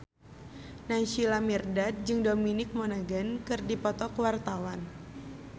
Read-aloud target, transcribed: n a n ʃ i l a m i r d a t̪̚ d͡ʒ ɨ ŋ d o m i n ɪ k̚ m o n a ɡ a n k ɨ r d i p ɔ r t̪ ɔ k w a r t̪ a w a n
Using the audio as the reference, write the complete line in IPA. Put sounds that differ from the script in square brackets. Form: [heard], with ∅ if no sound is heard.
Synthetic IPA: n a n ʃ i l a m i r d a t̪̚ d͡ʒ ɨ ŋ d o m i n ɪ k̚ m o n a ɡ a n k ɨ r d i p ɔ [∅] t̪ ɔ k w a r t̪ a w a n